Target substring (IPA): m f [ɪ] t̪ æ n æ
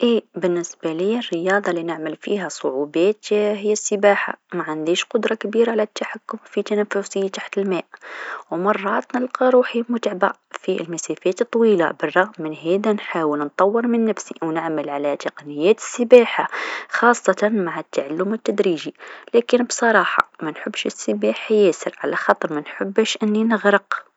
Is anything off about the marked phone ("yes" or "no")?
yes